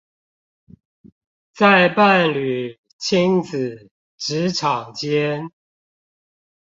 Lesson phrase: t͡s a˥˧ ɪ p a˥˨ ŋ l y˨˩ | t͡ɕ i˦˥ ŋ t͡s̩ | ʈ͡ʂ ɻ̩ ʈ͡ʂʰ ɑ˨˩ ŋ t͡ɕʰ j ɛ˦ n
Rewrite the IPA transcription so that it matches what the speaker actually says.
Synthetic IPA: t͡s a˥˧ ɪ p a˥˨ n l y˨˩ | t͡ɕʰ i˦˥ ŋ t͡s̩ | ʈ͡ʂ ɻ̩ ʈ͡ʂʰ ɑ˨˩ ŋ t͡ɕ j ɛ˦ n